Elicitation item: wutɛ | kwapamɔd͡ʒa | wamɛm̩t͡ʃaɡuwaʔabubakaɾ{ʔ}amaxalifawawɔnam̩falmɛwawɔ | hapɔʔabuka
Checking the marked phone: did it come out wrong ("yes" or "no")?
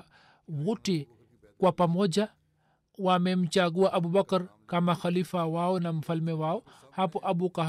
yes